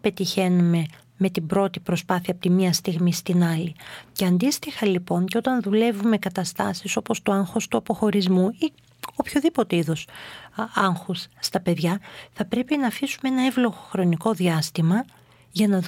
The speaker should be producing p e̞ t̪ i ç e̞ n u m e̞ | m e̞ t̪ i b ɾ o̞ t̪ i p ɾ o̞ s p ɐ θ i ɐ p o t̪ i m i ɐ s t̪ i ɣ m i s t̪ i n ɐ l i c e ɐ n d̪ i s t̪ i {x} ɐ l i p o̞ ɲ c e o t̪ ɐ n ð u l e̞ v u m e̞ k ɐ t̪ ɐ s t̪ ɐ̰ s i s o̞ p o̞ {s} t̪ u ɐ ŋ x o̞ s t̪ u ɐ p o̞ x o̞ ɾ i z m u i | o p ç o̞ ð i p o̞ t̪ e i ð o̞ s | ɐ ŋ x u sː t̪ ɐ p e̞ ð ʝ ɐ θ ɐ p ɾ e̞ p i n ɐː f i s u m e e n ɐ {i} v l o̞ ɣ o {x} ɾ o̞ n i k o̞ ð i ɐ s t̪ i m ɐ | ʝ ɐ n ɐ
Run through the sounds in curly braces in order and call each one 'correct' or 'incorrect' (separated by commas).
correct, correct, incorrect, correct